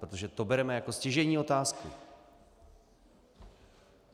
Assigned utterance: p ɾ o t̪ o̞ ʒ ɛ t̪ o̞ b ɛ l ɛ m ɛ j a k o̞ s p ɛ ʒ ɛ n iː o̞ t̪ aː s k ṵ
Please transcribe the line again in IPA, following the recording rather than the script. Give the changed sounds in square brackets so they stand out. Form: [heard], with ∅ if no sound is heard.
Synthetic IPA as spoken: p ɾ o t̪ o̞ ʒ ɛ t̪ o̞ b ɛ [ɾ] ɛ m ɛ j a k o̞ s [c] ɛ ʒ ɛ [ɲ] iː o̞ t̪ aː s k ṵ